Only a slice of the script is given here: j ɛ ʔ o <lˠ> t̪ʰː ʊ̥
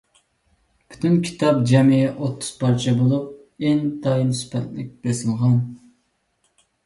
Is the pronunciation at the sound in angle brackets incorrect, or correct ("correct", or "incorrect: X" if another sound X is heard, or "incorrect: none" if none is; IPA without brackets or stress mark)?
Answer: incorrect: none